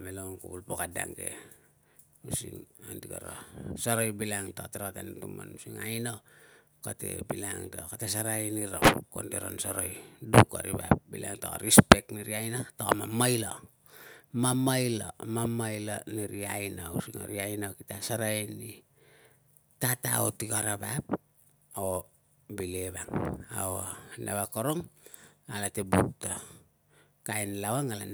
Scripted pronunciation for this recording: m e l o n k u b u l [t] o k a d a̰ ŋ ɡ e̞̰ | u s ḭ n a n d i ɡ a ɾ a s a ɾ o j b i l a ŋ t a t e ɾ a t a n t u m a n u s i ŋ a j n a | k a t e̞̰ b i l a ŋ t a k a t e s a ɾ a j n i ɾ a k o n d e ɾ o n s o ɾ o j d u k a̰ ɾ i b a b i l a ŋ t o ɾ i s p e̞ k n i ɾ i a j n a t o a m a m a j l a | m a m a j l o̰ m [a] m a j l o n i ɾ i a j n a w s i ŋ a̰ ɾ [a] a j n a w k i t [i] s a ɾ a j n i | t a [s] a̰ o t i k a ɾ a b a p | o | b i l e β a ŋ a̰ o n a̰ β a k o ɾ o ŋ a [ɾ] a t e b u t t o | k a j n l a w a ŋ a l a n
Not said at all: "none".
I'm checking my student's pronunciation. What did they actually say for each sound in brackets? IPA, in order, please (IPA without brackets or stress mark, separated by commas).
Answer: p, a, i, a, t, l